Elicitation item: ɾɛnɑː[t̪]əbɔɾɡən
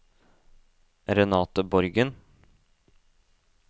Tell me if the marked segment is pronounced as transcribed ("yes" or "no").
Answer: yes